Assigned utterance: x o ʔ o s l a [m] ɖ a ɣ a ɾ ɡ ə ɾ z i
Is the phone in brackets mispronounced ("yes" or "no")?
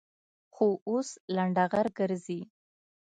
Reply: yes